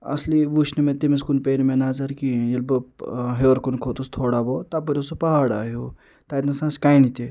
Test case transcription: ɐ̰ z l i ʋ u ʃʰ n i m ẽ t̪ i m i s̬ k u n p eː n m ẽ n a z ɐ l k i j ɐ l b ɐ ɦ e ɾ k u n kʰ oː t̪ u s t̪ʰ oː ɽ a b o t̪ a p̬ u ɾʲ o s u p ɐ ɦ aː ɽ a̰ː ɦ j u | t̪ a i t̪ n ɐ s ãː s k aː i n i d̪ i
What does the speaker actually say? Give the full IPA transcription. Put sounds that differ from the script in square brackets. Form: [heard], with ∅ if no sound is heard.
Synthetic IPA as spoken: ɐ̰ [s] l i ʋ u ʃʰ n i m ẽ t̪ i m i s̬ k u n p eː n m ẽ n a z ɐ [ɾ] k i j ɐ l b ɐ ɦ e ɾ k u n kʰ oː t̪ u s t̪ʰ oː ɽ a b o t̪ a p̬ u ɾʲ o s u p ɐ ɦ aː ɽ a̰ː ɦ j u | t̪ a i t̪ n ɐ s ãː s k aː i n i [t̪] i